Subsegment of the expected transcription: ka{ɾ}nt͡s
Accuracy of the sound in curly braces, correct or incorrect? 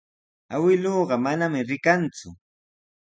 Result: incorrect